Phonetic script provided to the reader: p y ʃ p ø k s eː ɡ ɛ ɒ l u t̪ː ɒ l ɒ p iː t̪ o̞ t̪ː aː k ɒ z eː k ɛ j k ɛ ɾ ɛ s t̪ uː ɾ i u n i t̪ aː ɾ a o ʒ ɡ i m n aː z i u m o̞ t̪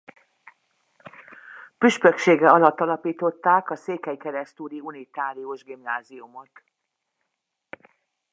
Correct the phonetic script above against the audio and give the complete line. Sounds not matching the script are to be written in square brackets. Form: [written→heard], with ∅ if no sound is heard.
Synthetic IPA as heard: p y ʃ p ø k [s→ʃ] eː ɡ ɛ ɒ l [u→ɒ] t̪ː ɒ l ɒ p iː t̪ o̞ t̪ː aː k ɒ [z→s] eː k ɛ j k ɛ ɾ ɛ s t̪ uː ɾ i u n i t̪ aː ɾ [a→i] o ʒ ɡ i m n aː z i u m o̞ t̪